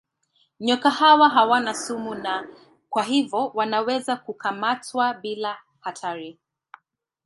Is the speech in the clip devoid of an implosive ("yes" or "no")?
yes